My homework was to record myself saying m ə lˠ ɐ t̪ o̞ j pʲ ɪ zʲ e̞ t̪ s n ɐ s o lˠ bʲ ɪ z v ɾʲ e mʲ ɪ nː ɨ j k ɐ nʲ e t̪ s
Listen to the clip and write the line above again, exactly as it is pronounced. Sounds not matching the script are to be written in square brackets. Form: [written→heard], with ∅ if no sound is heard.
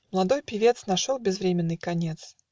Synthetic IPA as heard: m ə lˠ ɐ [t̪→d̪] o̞ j pʲ ɪ [zʲ→vʲ] e̞ t̪ s n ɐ [s→ʂ] o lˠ bʲ ɪ z v ɾʲ e mʲ ɪ nː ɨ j k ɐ nʲ e t̪ s